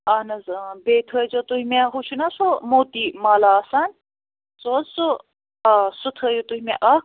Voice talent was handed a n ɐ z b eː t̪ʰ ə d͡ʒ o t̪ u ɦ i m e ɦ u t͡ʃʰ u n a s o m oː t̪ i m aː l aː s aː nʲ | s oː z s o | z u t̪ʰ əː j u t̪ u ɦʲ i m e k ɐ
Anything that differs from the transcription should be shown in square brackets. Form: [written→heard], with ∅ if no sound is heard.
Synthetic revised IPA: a n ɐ z b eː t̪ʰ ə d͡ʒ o t̪ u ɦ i m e ɦ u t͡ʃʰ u n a s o m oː t̪ i m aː l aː s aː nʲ | s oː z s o | [z→s] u t̪ʰ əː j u t̪ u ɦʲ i m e [k→ʔ] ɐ